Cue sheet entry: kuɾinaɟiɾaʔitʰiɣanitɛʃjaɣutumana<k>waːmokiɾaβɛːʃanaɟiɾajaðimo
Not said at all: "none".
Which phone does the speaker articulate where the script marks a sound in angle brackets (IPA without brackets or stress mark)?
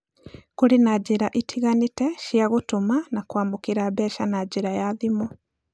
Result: k